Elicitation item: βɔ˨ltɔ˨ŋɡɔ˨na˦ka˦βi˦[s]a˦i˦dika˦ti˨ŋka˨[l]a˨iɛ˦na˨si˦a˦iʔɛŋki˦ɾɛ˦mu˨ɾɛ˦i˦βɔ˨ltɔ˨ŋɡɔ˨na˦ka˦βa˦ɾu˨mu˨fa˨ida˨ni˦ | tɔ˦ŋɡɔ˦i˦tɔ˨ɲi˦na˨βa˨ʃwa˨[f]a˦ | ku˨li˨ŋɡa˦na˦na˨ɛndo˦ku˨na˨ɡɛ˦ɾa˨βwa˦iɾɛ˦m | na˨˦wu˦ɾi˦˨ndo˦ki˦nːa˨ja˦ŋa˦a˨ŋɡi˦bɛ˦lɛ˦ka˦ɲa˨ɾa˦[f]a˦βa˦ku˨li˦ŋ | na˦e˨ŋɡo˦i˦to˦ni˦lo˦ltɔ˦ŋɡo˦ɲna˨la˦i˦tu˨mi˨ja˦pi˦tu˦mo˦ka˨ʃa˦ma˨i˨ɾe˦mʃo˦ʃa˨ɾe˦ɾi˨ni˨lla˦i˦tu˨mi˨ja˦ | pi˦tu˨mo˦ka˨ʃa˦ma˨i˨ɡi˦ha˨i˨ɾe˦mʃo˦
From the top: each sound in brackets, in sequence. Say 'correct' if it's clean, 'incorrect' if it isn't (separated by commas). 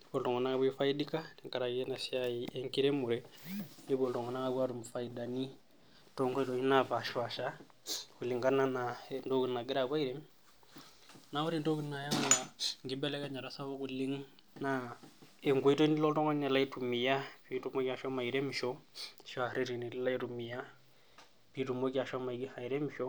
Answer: incorrect, incorrect, incorrect, incorrect